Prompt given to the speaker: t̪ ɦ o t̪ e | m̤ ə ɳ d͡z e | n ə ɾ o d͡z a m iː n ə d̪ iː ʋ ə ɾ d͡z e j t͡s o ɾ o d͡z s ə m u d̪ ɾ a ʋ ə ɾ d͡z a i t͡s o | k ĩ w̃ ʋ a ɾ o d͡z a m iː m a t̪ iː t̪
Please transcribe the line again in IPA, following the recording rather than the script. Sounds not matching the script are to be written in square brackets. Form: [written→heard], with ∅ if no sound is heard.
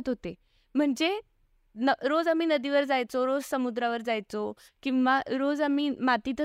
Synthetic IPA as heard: t̪ ɦ o t̪ e | m̤ ə ɳ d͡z e | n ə ɾ o d͡z a m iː n ə d̪ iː ʋ ə ɾ d͡z [e→a] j t͡s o ɾ o d͡z s ə m u d̪ ɾ a ʋ ə ɾ d͡z a [i→j] t͡s o | k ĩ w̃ ʋ a ɾ o d͡z a m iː m a t̪ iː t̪